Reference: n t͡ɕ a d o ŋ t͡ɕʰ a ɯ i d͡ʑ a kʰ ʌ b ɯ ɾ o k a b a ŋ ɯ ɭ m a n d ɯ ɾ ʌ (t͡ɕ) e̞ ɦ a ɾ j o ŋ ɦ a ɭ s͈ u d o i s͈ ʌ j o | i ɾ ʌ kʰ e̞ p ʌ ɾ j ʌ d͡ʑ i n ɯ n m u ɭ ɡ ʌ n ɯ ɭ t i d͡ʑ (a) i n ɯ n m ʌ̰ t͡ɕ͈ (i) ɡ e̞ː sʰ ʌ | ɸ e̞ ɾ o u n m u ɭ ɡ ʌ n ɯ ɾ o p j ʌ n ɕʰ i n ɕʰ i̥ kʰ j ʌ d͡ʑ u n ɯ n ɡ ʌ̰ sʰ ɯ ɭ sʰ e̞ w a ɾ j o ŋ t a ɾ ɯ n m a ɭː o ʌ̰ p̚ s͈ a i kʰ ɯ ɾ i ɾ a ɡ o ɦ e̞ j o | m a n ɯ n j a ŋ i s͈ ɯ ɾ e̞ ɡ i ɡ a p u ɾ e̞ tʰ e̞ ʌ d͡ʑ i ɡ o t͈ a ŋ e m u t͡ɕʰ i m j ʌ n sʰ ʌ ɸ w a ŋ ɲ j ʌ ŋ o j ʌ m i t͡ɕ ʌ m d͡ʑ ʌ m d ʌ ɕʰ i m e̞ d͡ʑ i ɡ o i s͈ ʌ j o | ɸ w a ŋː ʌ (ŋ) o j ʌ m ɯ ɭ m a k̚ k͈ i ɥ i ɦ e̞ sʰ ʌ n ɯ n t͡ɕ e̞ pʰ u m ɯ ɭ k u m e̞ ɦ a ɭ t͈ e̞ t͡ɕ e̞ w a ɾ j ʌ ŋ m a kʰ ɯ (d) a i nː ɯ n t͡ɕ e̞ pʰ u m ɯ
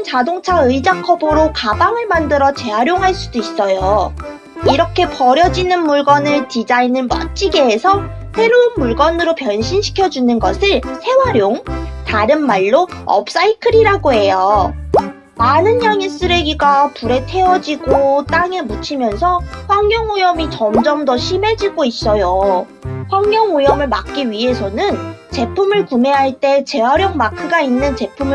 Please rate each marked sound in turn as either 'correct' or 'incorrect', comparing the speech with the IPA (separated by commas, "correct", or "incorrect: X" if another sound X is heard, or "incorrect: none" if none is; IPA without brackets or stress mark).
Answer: correct, correct, correct, correct, incorrect: ɡ